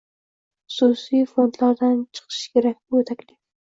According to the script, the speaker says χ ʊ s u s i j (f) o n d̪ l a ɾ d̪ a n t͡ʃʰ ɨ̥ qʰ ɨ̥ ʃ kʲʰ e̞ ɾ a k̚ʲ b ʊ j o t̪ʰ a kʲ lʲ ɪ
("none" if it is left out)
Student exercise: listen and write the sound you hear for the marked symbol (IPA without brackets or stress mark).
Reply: f